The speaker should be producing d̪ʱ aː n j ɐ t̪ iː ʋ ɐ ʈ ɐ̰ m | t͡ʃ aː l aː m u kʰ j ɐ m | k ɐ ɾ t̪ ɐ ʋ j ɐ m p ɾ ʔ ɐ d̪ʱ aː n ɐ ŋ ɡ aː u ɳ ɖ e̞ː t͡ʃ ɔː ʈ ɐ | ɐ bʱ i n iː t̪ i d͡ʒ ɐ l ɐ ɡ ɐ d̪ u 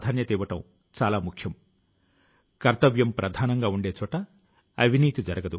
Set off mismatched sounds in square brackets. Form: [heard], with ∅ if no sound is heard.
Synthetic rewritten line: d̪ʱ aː n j ɐ t̪ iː ʋ ɐ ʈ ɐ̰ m | t͡ʃ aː l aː m u kʰ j ɐ m | k ɐ ɾ t̪ ɐ ʋ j ɐ m p ɾ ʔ ɐ d̪ʱ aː n ɐ ŋ ɡ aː u ɳ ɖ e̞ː t͡ʃ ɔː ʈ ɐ | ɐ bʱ i n iː t̪ i d͡ʒ ɐ [ɾ] ɐ ɡ ɐ d̪ u